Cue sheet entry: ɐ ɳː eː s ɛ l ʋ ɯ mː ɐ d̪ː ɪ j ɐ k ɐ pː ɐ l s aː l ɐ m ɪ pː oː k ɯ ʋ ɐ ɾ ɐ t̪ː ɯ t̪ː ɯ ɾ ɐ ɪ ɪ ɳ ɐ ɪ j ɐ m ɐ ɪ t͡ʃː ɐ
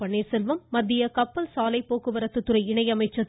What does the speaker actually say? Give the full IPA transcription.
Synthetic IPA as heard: ɐ ɳː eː s ɛ l ʋ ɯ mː ɐ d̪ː ɪ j ɐ k ɐ pː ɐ l s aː l ɐ ɪ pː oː k ɯ ʋ ɐ ɾ ɐ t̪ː ɯ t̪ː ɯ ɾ ɐ ɪ ɪ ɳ ɐ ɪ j ɐ m ɐ ɪ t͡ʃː ɐ